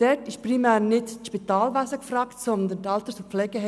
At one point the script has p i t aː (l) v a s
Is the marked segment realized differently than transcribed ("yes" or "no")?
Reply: no